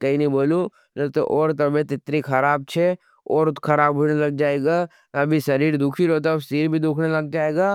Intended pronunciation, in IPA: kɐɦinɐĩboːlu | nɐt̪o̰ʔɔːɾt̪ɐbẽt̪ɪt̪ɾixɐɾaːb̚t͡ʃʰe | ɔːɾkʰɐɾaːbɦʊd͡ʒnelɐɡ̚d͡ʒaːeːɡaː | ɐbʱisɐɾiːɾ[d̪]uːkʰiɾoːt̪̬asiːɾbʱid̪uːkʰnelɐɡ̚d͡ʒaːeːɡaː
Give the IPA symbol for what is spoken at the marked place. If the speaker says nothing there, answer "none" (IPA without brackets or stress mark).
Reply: d̪